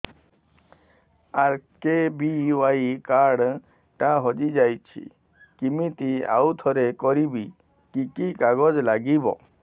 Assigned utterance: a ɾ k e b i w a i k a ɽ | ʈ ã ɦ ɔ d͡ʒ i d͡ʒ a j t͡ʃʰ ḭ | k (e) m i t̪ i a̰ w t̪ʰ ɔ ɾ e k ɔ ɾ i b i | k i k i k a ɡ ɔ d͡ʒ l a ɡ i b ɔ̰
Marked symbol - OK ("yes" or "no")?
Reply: no